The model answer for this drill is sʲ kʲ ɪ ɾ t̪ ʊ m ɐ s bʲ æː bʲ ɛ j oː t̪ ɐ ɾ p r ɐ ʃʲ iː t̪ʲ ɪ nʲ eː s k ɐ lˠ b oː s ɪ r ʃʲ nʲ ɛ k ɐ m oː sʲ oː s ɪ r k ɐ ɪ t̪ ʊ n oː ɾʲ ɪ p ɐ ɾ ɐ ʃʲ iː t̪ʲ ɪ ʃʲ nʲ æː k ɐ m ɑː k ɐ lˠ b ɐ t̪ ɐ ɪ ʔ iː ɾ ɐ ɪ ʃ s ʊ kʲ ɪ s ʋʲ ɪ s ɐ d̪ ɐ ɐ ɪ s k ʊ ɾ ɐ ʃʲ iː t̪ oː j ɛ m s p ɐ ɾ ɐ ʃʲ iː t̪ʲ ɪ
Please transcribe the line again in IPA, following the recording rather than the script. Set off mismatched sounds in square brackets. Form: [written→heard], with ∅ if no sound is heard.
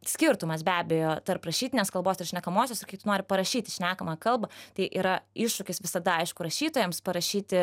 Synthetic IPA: sʲ kʲ ɪ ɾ t̪ ʊ m ɐ s bʲ æː bʲ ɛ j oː t̪ ɐ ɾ p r ɐ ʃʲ iː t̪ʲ ɪ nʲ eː s k ɐ lˠ b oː s ɪ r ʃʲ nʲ ɛ k ɐ m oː sʲ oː s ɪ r k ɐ ɪ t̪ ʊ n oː ɾʲ ɪ p ɐ ɾ ɐ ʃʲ iː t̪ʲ ɪ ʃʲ nʲ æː k ɐ m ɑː k ɐ lˠ b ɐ t̪ ɐ ɪ ʔ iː ɾ ɐ ɪ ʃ [s→ʃ] ʊ kʲ ɪ s ʋʲ ɪ s ɐ d̪ ɐ ɐ ɪ [s→ʃ] k ʊ ɾ ɐ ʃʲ iː t̪ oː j ɛ m s p ɐ ɾ ɐ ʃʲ iː t̪ʲ ɪ